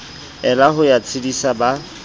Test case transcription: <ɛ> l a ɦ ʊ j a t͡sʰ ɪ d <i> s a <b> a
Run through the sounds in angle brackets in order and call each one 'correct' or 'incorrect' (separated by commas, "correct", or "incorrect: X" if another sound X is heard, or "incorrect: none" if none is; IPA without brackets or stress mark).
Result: correct, correct, correct